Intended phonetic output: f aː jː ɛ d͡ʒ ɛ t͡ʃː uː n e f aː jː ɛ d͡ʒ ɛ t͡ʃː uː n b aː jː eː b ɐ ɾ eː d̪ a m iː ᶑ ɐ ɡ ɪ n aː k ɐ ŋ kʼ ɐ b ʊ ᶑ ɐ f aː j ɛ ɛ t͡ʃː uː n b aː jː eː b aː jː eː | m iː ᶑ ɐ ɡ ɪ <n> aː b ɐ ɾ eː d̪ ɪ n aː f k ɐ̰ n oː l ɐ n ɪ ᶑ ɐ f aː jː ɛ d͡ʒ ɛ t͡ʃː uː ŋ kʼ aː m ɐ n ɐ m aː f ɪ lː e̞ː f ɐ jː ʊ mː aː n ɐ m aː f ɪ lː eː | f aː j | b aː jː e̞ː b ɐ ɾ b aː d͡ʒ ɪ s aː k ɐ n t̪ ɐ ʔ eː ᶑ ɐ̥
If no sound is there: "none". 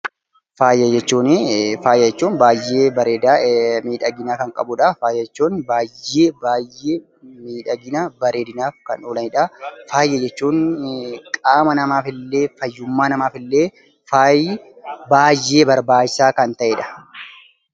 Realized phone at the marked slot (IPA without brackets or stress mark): n